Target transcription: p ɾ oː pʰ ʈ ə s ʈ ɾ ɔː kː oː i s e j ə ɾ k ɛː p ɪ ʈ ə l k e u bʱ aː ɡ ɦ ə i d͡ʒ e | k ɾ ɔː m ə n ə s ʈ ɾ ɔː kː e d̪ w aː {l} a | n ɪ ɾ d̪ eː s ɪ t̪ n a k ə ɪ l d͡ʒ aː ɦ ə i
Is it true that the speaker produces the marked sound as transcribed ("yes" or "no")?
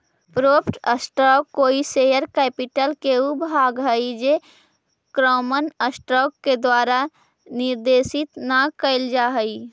no